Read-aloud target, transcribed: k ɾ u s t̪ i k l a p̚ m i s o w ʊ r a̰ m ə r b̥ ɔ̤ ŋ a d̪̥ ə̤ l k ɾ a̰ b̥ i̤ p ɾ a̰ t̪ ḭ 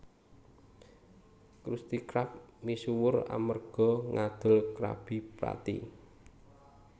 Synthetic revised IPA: k ɾ u s t̪ i k ɾ a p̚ m i s u w ʊ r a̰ m ə r ɡ̥ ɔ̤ ŋ a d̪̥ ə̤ l k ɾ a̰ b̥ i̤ p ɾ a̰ t̪ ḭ